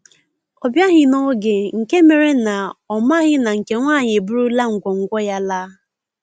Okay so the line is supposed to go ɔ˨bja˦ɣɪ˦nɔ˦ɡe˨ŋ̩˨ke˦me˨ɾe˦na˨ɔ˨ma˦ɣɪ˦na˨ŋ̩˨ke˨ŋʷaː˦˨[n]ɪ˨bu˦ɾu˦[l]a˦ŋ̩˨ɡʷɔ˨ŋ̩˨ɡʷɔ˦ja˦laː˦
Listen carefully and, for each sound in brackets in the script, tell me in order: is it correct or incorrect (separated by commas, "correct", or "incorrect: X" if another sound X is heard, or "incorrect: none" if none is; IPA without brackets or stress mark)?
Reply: incorrect: ɲ, correct